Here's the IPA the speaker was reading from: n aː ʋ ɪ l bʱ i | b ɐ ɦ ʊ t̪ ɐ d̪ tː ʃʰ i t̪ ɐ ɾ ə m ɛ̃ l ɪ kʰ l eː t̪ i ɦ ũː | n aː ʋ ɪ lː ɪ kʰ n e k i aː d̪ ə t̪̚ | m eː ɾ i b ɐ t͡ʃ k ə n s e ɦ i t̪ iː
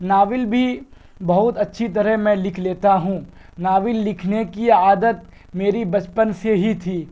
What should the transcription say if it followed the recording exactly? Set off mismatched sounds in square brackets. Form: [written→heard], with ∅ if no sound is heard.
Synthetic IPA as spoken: n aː ʋ ɪ l bʱ i | b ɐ ɦ ʊ t̪ ɐ [d̪→∅] tː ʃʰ i t̪ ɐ ɾ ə m ɛ̃ l ɪ kʰ l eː t̪ [i→a] ɦ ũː | n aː ʋ ɪ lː ɪ kʰ n e k i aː d̪ ə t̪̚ | m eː ɾ i b ɐ t͡ʃ [k→p] ə n s e ɦ i [t̪→t̪ʰ] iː